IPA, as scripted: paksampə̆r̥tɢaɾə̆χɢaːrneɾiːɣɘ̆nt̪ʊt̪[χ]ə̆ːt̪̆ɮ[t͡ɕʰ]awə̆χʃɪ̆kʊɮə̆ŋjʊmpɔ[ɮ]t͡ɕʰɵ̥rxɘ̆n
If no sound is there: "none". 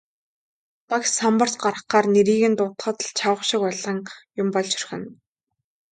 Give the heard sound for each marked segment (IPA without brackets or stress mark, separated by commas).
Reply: χ, t͡ɕʰ, ɮ